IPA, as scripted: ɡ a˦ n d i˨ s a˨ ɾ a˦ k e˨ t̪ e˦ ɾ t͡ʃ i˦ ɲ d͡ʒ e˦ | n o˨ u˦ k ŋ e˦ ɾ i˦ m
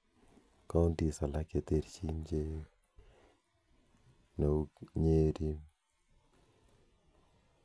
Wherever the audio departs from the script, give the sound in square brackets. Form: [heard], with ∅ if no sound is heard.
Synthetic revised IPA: [k] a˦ n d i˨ s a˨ [l] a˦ k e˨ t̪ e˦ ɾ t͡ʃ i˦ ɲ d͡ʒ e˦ | n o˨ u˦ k [ɲ] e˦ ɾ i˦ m